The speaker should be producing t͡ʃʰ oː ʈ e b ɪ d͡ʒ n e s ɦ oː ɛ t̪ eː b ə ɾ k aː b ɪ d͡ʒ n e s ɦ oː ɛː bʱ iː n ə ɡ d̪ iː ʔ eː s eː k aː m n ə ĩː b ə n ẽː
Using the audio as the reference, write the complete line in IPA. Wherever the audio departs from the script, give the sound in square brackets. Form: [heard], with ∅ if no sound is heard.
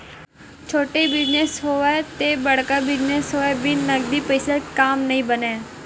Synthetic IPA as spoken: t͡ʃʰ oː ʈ e b ɪ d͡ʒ n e s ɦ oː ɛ t̪ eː b ə [ɽ] k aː b ɪ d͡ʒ n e s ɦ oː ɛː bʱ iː n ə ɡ d̪ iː [p] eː s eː k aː m n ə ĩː b ə n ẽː